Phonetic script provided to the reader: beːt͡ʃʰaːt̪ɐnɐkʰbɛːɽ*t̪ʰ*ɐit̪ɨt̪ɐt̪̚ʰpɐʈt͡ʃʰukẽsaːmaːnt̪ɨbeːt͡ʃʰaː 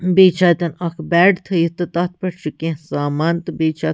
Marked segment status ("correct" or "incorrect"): correct